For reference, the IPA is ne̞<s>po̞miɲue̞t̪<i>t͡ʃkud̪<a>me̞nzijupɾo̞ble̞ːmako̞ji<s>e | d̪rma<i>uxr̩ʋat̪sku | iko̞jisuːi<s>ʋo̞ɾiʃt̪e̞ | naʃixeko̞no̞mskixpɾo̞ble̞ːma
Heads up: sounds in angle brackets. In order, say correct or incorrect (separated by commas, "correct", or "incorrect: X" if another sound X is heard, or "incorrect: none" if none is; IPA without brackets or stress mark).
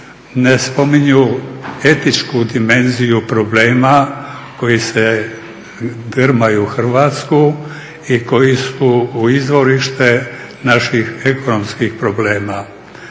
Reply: correct, correct, incorrect: i, correct, incorrect: j, incorrect: z